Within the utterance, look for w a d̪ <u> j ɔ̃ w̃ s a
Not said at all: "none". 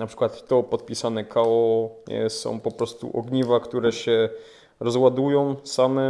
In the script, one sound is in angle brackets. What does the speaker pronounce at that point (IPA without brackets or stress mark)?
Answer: u